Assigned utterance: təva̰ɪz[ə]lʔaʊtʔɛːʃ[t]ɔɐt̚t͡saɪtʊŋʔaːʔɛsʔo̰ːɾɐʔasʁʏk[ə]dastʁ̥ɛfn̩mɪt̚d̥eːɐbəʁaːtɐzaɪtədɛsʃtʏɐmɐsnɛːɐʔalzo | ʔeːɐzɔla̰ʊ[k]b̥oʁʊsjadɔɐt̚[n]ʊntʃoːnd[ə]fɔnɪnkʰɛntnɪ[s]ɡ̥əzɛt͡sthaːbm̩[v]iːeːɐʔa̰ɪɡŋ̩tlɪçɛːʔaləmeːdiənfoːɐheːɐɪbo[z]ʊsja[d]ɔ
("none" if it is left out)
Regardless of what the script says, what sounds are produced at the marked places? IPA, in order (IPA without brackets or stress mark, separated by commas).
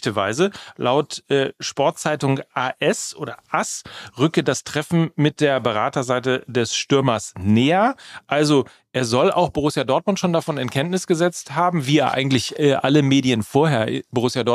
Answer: ə, p, ə, x, m, a, s, v, ʁ, d